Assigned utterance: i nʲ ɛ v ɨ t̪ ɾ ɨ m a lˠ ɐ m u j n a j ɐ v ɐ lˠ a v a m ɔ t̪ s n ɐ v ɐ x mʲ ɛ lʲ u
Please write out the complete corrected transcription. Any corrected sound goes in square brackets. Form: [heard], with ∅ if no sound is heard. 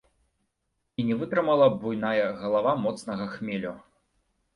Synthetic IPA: i nʲ ɛ v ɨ t̪ ɾ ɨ m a lˠ ɐ [b] u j n a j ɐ [ɣ] ɐ lˠ a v a m ɔ t̪ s n ɐ [ɣ] ɐ x mʲ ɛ lʲ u